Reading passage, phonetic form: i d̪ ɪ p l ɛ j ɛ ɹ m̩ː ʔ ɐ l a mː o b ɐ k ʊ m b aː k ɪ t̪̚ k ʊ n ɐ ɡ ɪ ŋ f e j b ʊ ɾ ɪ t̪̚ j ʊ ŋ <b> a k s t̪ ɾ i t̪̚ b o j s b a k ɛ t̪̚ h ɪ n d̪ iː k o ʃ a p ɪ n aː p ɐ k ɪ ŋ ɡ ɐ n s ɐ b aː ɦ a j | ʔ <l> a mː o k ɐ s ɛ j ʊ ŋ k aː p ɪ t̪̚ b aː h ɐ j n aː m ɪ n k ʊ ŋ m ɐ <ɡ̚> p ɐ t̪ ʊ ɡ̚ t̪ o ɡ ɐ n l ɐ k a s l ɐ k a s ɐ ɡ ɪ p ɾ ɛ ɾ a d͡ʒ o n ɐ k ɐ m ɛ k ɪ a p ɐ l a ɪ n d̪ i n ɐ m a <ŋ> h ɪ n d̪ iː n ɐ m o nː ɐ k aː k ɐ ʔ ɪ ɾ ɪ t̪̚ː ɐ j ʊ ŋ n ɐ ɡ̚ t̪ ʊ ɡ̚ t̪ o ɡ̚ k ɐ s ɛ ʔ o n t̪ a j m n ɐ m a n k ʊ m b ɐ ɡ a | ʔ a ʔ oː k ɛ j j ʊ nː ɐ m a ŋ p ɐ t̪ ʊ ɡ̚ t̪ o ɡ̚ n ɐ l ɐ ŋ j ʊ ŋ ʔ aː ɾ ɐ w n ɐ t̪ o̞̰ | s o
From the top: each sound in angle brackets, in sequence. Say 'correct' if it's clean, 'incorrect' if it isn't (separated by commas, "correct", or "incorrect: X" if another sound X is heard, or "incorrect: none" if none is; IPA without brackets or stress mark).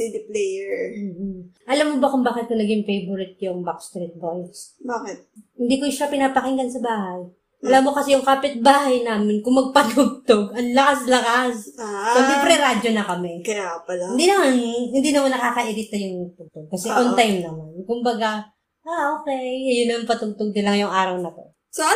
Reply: correct, correct, correct, incorrect: n